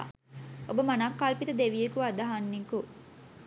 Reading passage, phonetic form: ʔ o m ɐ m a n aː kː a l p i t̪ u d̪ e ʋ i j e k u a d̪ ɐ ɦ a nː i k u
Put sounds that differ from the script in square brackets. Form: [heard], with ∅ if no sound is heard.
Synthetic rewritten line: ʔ o [b] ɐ m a n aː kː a l p i t̪ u d̪ e ʋ i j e k u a d̪ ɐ ɦ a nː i k u